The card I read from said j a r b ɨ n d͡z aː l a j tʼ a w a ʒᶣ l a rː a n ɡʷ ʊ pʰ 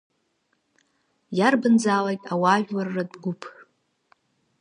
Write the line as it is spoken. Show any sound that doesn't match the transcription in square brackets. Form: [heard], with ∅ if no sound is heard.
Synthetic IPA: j a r b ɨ n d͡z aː l a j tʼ a w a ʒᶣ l a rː a [d] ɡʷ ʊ pʰ